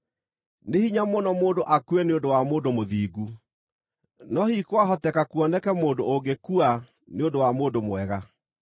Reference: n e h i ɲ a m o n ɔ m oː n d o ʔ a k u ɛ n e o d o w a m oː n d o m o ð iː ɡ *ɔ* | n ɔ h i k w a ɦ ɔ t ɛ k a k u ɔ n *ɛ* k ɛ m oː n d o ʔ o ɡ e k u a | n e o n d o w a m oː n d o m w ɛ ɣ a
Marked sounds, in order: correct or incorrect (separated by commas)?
incorrect, correct